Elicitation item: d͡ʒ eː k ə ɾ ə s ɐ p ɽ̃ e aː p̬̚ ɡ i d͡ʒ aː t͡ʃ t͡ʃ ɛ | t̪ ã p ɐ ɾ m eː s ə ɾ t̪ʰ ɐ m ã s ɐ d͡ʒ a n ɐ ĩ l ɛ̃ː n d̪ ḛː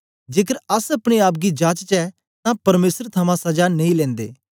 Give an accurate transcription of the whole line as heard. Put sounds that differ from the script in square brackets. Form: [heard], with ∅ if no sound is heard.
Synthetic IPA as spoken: d͡ʒ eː k ə ɾ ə s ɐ p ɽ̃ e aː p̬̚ ɡ i d͡ʒ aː t͡ʃ t͡ʃ ɛ | t̪ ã p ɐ ɾ m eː s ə ɾ t̪ʰ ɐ m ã s ɐ d͡ʒ a n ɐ ĩ l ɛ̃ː n d̪ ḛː